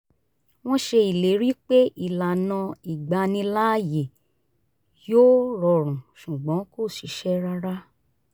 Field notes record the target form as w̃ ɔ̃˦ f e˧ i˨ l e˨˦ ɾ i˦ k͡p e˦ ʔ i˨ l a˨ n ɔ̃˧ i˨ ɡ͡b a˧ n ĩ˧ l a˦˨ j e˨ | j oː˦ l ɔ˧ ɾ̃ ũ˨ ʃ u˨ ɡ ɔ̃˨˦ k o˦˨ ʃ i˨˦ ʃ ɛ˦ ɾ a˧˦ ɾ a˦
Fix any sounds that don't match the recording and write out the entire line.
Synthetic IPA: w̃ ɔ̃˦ ʃ e˧ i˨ l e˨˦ ɾ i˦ k͡p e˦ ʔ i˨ l a˨ n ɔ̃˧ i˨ ɡ͡b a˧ n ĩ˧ l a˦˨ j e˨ | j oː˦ ɾ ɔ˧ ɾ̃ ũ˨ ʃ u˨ ɡ͡b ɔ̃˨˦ k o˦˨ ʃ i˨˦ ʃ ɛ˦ ɾ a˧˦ ɾ a˦